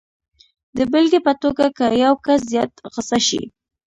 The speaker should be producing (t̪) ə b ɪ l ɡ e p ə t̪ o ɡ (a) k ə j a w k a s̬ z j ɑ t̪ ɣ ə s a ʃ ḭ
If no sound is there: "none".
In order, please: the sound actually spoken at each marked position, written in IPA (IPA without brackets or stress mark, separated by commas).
d̪, a